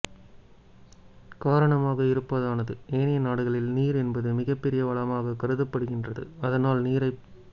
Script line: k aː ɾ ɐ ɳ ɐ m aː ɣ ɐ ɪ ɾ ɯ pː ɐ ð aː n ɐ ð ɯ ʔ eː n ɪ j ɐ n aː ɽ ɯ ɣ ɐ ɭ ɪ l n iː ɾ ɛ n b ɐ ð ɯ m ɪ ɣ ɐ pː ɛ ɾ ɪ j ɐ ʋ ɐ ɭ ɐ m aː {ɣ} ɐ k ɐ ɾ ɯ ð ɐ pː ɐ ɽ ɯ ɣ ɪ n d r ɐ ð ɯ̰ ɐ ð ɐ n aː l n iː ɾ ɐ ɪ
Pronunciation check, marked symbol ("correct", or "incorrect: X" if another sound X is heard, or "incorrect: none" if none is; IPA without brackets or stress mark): correct